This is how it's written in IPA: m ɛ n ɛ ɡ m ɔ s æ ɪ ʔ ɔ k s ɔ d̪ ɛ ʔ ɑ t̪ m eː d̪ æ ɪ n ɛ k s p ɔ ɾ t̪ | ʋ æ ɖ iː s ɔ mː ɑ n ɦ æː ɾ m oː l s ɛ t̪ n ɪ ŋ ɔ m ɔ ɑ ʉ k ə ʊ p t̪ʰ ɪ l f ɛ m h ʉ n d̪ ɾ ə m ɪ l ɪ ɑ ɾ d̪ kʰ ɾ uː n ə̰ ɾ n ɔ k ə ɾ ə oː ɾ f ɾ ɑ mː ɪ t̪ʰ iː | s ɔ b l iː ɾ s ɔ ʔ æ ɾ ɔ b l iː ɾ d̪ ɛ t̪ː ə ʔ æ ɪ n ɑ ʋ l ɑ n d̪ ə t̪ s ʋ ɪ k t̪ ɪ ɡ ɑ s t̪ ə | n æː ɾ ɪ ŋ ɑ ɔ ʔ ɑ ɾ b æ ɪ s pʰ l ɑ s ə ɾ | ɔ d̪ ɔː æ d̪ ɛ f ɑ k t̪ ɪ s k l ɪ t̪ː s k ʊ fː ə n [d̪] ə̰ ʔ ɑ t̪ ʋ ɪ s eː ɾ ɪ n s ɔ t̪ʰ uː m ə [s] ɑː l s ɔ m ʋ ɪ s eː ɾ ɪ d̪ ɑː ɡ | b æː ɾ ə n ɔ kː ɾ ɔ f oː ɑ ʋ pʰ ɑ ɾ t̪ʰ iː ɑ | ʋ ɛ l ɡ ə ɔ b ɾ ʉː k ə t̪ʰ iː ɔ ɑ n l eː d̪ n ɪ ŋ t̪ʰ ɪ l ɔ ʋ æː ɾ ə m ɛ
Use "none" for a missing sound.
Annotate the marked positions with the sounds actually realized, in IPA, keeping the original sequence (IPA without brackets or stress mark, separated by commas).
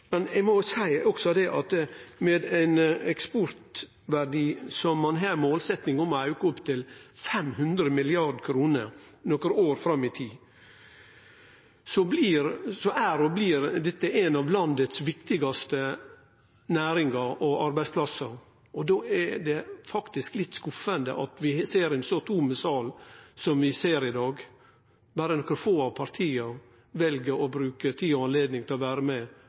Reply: d̪, s